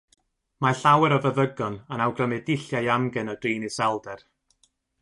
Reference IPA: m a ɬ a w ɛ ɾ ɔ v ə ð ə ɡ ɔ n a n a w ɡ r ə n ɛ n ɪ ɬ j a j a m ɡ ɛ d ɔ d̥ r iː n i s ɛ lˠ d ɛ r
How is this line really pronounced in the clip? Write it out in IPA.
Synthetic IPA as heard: m a ɬ a w ɛ ɾ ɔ v ə ð ə ɡ ɔ n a n a w ɡ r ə m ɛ d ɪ ɬ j a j a m ɡ ɛ n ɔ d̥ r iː n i s ɛ lˠ d ɛ r